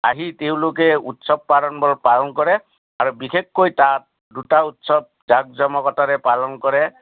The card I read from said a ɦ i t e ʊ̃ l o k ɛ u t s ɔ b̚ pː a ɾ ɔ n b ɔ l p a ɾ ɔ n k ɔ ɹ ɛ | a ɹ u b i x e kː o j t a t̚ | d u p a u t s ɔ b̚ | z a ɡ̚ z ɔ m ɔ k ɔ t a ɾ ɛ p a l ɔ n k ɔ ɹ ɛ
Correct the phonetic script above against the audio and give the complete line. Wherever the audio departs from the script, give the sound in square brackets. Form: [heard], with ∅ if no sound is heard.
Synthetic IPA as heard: a ɦ i t e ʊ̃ l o k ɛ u t s ɔ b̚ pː a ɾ ɔ n b ɔ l p a [l] ɔ n k ɔ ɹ ɛ | a ɹ u b i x e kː o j t a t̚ | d u [t] a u t s ɔ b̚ | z a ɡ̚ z ɔ m ɔ k ɔ t a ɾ ɛ p a l ɔ n k ɔ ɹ ɛ